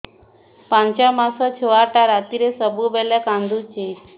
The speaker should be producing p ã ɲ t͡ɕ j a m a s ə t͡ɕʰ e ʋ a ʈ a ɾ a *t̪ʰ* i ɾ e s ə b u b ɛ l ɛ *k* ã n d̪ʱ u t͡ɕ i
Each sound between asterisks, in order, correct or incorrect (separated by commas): incorrect, correct